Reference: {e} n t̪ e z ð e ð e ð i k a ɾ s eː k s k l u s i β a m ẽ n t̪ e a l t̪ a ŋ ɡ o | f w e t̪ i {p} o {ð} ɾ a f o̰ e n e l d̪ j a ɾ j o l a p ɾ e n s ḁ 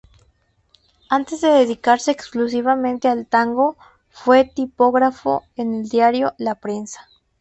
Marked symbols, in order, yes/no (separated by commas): no, yes, no